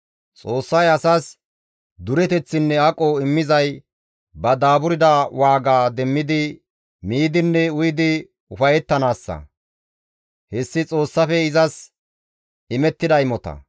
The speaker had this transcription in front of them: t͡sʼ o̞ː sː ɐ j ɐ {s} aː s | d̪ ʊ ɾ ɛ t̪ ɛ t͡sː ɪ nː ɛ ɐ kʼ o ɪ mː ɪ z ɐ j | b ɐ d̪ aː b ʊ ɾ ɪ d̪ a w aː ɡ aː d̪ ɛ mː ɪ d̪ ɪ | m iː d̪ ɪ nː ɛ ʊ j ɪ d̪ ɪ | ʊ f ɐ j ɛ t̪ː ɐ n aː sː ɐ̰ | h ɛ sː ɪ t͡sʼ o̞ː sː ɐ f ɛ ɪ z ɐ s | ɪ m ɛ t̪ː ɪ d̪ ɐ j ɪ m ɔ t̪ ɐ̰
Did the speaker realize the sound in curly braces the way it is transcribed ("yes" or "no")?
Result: yes